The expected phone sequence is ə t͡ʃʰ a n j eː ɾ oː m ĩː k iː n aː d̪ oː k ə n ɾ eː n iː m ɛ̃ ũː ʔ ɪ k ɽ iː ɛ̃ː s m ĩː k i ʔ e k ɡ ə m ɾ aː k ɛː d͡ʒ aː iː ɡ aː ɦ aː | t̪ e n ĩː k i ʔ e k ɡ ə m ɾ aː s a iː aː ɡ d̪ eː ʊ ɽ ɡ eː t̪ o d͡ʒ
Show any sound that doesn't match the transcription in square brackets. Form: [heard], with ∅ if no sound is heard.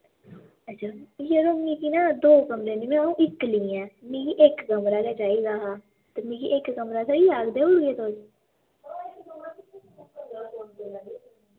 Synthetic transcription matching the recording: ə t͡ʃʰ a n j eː ɾ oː m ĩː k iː n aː d̪ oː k ə [m] ɾ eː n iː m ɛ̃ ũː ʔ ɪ k [l] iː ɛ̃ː [∅] m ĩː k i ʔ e k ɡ ə m ɾ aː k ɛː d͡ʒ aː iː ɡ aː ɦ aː | t̪ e [m] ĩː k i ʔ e k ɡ ə m ɾ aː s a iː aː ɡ d̪ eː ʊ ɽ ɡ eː t̪ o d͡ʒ